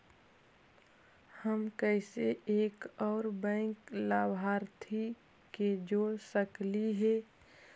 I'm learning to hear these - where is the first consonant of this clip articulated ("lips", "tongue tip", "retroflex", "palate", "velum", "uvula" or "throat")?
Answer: throat